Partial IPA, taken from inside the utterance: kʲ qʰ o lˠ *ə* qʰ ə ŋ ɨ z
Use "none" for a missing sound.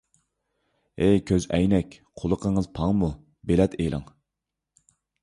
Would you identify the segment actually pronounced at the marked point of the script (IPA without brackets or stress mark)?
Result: ə